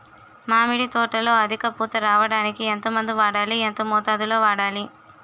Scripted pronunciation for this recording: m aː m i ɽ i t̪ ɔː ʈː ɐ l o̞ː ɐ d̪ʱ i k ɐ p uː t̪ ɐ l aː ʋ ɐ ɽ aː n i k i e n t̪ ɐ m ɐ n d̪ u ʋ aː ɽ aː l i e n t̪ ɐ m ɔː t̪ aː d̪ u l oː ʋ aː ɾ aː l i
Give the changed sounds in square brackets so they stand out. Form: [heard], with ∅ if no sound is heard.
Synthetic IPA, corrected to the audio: m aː m i ɽ i t̪ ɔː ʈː ɐ l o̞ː ɐ d̪ʱ i k ɐ p uː t̪ ɐ [ɾ] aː ʋ ɐ ɽ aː n i k i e n t̪ ɐ m ɐ n d̪ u ʋ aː ɽ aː l i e n t̪ ɐ m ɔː t̪ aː d̪ u l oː ʋ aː [ɽ] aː l i